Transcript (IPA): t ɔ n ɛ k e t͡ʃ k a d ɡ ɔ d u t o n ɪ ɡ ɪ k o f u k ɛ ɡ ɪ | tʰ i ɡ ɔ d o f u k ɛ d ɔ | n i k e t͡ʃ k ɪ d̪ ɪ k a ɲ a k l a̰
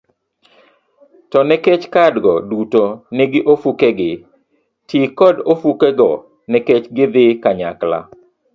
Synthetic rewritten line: t ɔ n ɛ k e t͡ʃ k a d ɡ ɔ d u t o n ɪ ɡ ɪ ʔ o f u k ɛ ɡ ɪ | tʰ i k ɔ d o f u k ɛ ɡ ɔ | n ɛ k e t͡ʃ ɡ ɪ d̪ ɪ k a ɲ a k l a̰